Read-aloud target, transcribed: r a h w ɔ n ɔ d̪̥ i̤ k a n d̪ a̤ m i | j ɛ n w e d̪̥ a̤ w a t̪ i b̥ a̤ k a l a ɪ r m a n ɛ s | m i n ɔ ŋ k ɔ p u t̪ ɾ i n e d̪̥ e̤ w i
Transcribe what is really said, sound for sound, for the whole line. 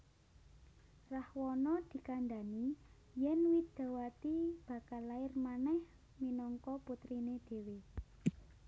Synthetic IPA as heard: r a h w ɔ n ɔ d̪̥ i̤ k a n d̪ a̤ n i | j ɛ n w i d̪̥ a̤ w a t̪ i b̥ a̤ k a l a ɪ r m a n ɛ h | m i n ɔ ŋ k ɔ p u t̪ ɾ i n e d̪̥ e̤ w e